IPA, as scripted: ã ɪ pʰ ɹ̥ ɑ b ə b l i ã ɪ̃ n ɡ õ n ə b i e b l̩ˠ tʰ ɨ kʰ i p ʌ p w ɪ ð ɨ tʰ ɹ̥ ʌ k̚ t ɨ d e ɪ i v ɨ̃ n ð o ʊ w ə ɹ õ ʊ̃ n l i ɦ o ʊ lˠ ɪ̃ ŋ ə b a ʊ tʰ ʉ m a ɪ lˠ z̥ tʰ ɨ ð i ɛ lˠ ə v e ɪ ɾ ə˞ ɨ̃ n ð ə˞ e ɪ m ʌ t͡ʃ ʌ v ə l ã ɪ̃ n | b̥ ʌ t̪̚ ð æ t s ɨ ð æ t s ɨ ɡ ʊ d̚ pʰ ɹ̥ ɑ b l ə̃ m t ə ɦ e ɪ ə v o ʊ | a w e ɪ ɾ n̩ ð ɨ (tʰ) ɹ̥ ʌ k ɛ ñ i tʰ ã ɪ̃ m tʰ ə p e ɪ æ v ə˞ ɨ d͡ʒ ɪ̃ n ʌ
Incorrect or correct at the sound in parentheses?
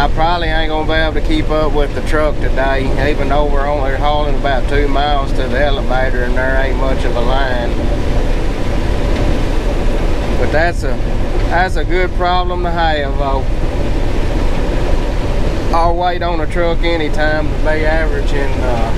correct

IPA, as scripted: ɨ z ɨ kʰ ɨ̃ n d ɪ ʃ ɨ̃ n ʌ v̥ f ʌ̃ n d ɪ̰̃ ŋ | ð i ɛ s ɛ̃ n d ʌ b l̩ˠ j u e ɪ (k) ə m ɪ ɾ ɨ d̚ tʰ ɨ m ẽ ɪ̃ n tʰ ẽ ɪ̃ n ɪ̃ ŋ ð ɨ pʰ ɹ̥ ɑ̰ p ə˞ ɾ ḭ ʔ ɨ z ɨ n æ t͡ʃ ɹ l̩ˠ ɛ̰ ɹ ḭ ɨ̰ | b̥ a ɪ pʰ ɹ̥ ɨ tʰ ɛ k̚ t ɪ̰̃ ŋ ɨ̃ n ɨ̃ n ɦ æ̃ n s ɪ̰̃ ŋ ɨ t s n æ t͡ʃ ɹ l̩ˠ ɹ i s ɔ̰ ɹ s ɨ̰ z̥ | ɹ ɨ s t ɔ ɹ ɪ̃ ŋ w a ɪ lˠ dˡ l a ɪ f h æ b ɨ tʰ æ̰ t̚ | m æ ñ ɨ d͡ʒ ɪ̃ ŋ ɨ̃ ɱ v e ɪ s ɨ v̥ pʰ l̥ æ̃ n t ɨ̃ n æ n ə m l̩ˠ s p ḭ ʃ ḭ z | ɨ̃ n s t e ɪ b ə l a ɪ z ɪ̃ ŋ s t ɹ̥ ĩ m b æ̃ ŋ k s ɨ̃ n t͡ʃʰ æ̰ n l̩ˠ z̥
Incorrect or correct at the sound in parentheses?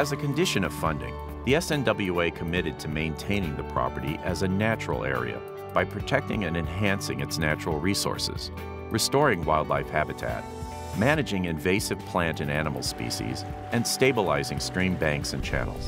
incorrect: kʰ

